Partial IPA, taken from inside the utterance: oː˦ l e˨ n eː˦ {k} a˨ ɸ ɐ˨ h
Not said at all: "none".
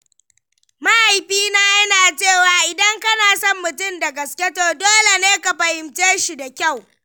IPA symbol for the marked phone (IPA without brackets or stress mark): k